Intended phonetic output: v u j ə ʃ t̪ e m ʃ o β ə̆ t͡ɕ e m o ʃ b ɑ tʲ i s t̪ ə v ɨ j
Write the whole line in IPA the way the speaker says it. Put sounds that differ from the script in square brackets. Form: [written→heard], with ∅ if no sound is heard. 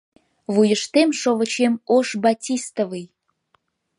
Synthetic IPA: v u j ə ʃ t̪ e m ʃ o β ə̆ t͡ɕ e m o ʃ b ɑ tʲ i s t̪ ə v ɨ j